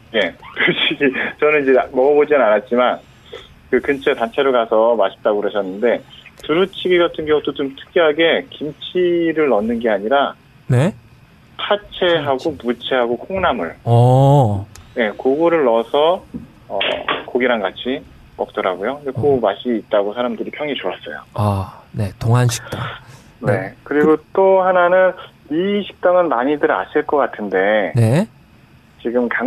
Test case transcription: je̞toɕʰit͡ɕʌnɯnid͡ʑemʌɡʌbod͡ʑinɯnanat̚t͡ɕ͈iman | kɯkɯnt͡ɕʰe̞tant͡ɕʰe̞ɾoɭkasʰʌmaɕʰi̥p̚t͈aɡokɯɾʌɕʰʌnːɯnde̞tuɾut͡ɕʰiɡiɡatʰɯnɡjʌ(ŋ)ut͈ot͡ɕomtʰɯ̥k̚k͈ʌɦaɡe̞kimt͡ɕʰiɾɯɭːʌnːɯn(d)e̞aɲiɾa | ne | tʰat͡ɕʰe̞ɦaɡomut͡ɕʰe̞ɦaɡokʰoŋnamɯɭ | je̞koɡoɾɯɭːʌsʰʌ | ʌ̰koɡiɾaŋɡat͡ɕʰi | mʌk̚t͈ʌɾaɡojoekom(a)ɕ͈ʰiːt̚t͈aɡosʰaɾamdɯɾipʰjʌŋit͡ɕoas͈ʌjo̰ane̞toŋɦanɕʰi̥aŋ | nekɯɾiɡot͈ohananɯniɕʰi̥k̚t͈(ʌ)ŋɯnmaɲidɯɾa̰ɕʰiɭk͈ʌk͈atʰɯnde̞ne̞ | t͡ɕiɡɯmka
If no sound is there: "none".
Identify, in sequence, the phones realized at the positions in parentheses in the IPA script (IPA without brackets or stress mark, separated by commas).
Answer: ŋ, ɡ, a, a